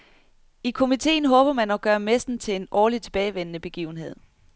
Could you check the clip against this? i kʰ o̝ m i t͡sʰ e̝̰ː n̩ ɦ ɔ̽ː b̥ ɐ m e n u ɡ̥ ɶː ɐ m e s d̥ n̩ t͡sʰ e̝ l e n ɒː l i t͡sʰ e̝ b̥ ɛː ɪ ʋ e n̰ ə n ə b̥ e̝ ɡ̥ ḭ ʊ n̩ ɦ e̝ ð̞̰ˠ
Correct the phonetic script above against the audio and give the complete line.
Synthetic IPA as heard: i kʰ o̝ m i t͡sʰ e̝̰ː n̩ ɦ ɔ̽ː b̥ ɐ m æ n ɒ ɡ̥ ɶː ɐ m e s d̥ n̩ t͡sʰ e̝ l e n ɒː l i t͡sʰ e̝ b̥ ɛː ɪ ʋ e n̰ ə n ə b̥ e̝ ɡ̥ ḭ ʊ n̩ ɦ e̝ ð̞̰ˠ